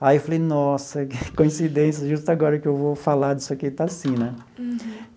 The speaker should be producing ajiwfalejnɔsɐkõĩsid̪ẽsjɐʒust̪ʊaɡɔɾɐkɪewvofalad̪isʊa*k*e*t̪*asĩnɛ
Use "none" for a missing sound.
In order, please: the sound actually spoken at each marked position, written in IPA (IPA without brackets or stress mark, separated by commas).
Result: k, t̪